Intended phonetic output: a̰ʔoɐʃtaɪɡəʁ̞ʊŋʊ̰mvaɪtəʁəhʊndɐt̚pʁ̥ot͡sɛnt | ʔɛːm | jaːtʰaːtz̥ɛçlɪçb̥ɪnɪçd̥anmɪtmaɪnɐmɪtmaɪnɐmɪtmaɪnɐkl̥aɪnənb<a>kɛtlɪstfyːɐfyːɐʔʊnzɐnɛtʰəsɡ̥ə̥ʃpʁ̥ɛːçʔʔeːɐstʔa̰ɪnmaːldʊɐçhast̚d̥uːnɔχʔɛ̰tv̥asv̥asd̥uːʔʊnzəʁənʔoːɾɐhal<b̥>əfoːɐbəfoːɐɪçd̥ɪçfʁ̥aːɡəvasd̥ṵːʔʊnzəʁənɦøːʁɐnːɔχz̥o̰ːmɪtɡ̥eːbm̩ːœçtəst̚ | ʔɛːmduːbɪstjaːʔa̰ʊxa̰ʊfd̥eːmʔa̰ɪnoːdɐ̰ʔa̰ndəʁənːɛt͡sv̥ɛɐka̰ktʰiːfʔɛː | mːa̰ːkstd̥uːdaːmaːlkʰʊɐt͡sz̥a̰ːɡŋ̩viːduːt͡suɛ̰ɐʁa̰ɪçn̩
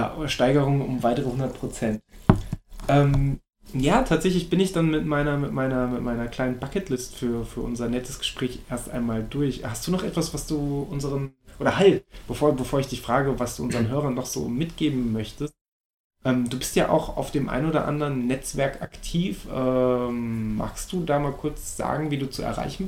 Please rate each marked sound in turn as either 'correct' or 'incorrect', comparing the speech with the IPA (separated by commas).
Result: correct, correct